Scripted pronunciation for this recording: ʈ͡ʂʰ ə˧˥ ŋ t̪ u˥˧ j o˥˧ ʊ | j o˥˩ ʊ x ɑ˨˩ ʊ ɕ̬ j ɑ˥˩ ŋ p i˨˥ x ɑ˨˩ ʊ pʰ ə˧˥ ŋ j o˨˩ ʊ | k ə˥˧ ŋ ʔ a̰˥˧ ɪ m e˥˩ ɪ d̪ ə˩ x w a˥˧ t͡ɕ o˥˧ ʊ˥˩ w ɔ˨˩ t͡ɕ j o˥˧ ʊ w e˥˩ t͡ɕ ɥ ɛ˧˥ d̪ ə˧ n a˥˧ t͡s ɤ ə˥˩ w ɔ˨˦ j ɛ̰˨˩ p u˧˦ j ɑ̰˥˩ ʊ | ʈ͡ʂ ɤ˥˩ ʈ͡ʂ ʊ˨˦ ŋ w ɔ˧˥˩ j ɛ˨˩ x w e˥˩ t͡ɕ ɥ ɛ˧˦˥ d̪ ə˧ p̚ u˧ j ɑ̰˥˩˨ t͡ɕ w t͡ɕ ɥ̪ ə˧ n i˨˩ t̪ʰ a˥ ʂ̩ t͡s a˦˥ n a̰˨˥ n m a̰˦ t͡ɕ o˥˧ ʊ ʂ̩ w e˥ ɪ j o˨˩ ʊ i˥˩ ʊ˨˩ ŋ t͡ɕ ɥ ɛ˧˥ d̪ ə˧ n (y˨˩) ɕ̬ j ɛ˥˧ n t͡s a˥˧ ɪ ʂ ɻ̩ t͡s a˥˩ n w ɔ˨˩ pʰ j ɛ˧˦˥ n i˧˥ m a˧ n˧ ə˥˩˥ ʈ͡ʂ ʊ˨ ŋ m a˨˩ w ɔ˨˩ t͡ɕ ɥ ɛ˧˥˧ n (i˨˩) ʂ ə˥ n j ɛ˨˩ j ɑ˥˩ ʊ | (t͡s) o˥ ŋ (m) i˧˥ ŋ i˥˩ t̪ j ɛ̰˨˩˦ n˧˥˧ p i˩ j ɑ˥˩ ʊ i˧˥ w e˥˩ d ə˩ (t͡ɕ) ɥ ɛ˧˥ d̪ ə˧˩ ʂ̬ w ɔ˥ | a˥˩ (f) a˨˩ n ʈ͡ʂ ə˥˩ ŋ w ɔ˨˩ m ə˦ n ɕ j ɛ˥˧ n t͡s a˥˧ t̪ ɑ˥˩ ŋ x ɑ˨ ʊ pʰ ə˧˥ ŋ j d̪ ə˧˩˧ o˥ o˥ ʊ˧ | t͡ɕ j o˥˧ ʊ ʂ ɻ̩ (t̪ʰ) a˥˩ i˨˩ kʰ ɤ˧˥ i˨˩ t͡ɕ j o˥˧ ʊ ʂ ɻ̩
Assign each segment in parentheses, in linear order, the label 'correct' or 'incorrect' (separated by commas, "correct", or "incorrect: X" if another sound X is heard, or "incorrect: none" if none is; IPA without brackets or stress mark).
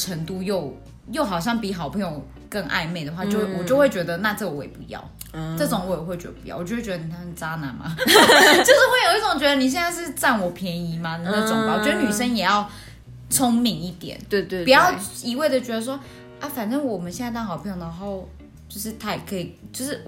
incorrect: i˨˩, incorrect: y˨˩, incorrect: t͡sʰ, correct, correct, correct, correct